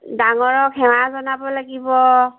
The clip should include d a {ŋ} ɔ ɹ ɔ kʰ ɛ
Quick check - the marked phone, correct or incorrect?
correct